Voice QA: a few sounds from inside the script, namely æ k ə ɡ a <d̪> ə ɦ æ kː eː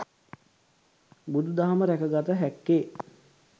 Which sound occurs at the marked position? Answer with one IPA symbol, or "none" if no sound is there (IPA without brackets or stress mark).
t̪